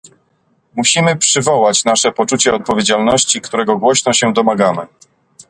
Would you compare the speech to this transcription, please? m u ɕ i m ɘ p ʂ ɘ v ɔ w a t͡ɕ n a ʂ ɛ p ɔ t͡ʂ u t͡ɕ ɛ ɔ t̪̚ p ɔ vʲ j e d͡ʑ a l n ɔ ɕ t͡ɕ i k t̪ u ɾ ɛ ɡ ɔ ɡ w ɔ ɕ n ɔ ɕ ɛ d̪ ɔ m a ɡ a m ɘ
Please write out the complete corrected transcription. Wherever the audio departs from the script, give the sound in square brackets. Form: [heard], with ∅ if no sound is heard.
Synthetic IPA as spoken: m u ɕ i m ɘ p ʂ ɘ v ɔ w a t͡ɕ n a ʂ ɛ p ɔ t͡ʂ u t͡ɕ ɛ ɔ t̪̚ p ɔ vʲ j e d͡ʑ a l n ɔ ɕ t͡ɕ i k t̪ u ɾ ɛ ɡ ɔ ɡ w ɔ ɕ n ɔ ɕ ɛ d̪ ɔ m a ɡ a m ɘ